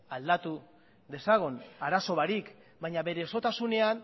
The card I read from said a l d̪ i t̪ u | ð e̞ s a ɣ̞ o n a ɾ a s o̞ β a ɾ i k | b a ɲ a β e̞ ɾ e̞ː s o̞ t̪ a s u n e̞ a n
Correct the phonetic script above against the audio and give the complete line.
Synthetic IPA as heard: a l d̪ a t̪ u | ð e̞ s a ɣ̞ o n a ɾ a s o̞ β a ɾ i k | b a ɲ a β e̞ ɾ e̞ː s o̞ t̪ a s u n e̞ a n